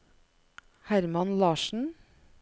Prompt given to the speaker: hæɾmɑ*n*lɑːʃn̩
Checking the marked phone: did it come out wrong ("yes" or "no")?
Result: no